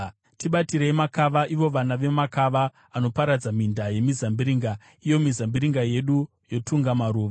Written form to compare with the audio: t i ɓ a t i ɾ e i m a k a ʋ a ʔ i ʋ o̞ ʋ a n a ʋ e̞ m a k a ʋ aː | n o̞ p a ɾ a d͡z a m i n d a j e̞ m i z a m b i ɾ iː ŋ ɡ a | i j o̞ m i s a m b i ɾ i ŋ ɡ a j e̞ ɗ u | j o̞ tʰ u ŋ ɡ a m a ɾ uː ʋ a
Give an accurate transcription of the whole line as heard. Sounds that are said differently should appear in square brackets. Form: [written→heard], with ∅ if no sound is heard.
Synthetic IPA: t i ɓ a t i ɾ e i m a k a ʋ a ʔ i ʋ o̞ ʋ a n a ʋ e̞ m a k a ʋ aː | n o̞ p a ɾ a d͡z a m i n d a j e̞ m i z a m b i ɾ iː ŋ ɡ a | i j o̞ m i [s→z] a m b i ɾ i ŋ ɡ a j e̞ ɗ u | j o̞ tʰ u ŋ ɡ a m a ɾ uː ʋ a